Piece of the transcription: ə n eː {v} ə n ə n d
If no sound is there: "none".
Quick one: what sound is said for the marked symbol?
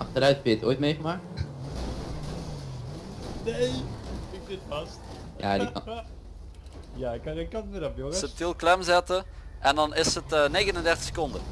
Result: ɣ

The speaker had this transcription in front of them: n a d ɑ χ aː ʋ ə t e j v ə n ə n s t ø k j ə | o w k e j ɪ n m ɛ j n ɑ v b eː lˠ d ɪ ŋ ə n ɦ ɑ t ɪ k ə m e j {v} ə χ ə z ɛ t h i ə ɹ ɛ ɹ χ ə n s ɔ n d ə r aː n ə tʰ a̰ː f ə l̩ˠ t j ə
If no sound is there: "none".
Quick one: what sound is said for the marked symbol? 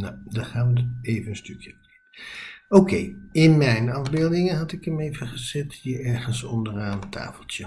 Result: v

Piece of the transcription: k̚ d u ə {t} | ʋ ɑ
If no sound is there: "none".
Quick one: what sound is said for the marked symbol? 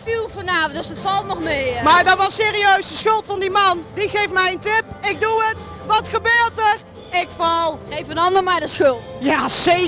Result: t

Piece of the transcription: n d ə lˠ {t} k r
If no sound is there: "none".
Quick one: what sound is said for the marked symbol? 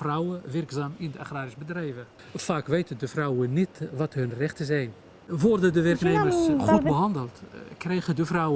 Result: t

